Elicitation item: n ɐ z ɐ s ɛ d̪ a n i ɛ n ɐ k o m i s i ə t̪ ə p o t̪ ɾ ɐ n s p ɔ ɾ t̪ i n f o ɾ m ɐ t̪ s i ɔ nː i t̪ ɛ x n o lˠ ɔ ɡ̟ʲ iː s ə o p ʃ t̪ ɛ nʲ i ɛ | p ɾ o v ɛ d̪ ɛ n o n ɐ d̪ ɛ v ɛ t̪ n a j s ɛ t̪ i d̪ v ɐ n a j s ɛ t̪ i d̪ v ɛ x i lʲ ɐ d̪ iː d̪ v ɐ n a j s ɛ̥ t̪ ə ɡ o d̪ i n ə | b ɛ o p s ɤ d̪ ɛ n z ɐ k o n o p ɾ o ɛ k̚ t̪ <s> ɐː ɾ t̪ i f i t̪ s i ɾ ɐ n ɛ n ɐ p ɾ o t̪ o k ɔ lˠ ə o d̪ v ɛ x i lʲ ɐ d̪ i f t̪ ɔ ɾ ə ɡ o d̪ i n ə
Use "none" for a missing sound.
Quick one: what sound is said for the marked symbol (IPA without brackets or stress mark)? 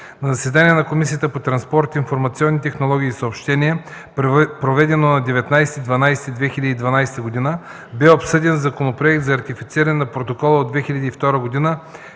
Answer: z